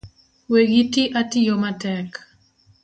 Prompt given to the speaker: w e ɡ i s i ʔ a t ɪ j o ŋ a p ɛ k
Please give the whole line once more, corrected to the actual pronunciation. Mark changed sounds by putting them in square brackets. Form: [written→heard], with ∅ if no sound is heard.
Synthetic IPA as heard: w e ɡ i [s→t] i ʔ a t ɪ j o [ŋ→m] a [p→t] ɛ k